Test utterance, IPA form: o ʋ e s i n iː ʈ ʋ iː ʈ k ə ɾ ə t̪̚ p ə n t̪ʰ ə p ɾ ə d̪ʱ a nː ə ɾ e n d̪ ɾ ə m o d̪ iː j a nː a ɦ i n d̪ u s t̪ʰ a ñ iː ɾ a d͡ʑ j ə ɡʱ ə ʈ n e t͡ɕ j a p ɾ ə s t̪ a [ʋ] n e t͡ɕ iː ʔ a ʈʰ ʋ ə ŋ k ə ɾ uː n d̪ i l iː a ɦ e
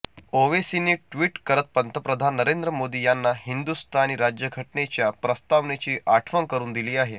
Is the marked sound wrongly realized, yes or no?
no